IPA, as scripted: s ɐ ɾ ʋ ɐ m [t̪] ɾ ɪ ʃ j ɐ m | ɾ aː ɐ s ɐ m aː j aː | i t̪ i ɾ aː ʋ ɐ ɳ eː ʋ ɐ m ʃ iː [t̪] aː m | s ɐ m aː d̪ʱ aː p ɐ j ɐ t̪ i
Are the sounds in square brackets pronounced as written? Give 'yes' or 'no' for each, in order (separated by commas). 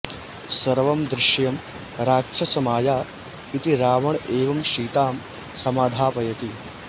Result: no, yes